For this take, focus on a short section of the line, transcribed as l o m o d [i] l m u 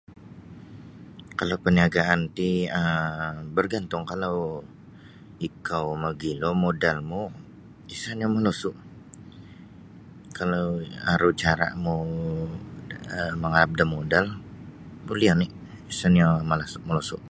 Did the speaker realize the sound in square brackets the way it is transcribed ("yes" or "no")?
no